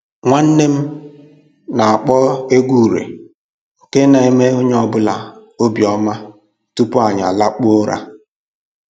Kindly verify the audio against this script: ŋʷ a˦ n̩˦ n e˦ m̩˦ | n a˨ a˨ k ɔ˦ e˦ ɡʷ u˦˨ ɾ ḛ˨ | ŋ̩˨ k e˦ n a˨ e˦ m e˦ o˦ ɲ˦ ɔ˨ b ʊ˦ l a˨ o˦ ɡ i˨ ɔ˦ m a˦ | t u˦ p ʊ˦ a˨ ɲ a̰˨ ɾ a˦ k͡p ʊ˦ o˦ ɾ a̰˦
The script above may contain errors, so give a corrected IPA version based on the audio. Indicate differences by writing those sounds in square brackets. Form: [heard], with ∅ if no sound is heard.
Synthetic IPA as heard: ŋʷ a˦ n̩˦ n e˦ m̩˦ | n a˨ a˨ [k͡p] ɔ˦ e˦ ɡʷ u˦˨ ɾ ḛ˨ | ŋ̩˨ k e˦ n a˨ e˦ m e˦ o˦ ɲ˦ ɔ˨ b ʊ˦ l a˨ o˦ [b] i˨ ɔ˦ m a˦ | t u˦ p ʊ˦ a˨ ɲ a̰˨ [l] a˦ k͡p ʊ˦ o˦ ɾ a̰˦